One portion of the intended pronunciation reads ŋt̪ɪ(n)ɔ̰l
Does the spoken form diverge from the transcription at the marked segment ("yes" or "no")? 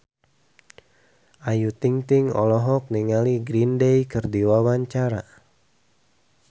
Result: yes